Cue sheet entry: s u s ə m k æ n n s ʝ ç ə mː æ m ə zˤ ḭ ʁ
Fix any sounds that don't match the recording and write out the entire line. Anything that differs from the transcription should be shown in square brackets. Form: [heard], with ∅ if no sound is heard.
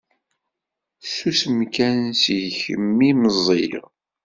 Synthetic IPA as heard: s u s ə m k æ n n s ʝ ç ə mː [i] m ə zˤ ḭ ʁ